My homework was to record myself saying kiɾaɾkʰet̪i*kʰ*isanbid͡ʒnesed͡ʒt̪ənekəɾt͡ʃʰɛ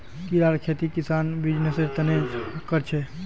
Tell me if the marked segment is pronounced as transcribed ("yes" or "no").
no